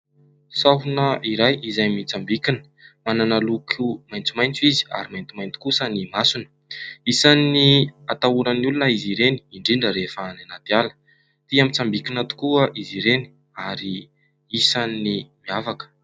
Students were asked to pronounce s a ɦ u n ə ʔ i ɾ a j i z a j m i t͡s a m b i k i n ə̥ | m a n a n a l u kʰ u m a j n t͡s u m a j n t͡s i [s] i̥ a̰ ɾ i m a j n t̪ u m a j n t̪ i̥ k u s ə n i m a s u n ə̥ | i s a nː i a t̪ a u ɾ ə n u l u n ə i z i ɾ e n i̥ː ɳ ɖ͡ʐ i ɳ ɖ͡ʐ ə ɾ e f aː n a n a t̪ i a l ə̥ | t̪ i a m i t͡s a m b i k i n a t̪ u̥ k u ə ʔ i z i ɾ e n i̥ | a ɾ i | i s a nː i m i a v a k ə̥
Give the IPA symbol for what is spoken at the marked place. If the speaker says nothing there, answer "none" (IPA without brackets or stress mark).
z